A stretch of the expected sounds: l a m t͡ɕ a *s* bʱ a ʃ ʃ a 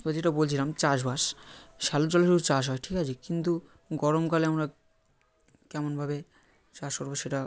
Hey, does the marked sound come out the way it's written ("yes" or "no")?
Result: no